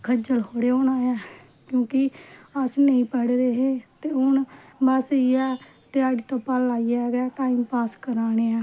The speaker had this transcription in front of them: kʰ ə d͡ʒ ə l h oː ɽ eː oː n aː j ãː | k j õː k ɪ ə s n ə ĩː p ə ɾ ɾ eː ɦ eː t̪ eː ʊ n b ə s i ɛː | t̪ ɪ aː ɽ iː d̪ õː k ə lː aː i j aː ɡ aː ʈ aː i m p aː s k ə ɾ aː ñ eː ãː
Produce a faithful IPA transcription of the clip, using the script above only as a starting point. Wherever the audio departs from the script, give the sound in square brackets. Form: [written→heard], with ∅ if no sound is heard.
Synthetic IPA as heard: kʰ ə d͡ʒ ə l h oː ɽ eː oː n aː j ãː | k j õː k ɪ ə s n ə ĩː p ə [ɾ→ɽ] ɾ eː ɦ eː t̪ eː ʊ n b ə s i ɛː | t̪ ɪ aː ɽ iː [d̪→t̪] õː [k→p] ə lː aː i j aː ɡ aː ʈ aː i m p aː s k ə ɾ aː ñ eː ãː